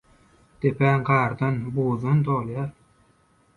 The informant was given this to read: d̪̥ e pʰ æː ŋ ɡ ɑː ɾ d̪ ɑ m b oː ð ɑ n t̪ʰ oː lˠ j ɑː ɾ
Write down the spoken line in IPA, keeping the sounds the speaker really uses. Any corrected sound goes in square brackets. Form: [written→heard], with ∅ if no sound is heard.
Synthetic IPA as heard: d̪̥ e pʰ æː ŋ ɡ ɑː ɾ d̪ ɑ [m→n] b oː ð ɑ n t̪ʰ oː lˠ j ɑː ɾ